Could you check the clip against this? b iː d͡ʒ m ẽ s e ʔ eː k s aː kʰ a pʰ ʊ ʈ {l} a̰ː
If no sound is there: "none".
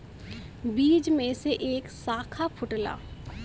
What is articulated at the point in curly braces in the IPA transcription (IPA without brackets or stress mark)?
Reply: l